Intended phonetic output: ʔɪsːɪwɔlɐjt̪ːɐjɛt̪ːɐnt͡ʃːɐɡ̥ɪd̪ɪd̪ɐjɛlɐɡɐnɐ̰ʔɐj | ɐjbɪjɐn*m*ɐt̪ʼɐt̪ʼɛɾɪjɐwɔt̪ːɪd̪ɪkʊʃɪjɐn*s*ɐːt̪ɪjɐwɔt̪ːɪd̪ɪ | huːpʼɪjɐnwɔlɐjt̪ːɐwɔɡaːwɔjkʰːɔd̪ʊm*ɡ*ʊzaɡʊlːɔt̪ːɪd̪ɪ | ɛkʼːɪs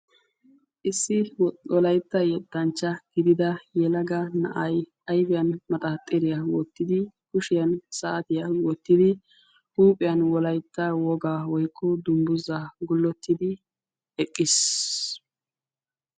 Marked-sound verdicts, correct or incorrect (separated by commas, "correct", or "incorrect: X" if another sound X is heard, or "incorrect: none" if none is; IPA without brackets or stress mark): correct, correct, incorrect: b